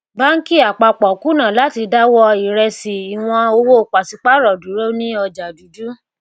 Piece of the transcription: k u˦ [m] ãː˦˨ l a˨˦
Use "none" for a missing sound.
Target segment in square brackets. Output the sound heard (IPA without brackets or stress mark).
n